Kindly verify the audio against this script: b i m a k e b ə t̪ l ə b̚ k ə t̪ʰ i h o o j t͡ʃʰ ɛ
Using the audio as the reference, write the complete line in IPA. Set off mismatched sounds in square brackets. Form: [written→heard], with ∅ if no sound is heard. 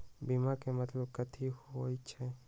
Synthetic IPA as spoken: b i m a k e [b→m] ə t̪ l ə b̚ k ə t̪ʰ i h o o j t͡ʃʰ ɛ